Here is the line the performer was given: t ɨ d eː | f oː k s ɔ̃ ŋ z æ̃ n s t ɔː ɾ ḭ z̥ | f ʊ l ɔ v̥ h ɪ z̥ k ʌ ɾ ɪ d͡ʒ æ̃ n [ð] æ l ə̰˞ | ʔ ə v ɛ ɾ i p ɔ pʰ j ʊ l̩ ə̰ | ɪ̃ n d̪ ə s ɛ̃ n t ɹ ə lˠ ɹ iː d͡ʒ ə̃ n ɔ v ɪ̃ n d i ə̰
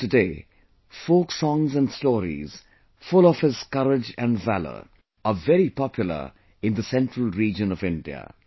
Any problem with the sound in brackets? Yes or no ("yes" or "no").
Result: yes